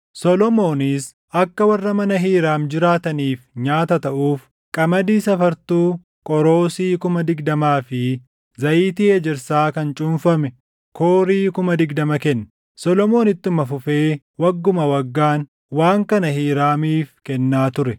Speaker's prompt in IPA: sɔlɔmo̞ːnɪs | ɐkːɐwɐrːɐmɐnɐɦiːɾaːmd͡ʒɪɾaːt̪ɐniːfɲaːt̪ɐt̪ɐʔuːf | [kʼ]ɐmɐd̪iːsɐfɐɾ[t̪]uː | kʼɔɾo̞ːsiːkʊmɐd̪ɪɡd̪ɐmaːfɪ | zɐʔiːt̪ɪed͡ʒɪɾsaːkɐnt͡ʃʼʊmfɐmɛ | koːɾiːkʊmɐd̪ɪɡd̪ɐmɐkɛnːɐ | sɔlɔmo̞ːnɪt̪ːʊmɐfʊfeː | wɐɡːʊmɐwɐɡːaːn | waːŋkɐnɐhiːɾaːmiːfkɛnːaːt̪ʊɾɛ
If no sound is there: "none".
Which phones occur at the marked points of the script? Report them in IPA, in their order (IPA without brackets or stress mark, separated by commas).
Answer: kʼ, t̪